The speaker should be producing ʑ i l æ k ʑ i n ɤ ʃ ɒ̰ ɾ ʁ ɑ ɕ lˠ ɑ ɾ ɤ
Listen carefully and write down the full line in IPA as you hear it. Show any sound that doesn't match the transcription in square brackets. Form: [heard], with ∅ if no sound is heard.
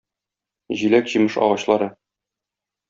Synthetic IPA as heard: ʑ i l æ k ʑ i [m] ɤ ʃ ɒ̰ [∅] ʁ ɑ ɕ lˠ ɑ ɾ ɤ